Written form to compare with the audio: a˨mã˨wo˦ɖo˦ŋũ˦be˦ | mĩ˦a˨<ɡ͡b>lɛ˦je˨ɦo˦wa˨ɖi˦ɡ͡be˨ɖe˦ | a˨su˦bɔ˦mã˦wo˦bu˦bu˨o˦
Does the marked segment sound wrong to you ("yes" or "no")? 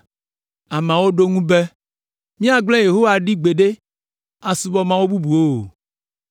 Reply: no